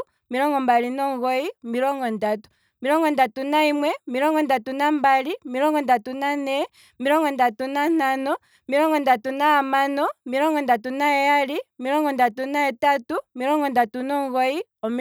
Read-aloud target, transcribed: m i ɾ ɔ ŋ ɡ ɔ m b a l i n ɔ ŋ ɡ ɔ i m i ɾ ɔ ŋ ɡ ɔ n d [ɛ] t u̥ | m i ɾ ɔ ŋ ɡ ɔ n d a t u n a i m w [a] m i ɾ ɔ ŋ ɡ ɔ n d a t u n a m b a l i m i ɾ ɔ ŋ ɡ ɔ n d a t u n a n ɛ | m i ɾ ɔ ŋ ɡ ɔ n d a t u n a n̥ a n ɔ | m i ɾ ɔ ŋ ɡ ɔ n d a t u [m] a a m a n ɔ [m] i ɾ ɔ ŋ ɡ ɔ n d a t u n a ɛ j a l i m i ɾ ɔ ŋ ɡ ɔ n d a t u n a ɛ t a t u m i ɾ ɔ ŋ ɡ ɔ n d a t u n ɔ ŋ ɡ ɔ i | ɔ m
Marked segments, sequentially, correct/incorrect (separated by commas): incorrect, incorrect, incorrect, correct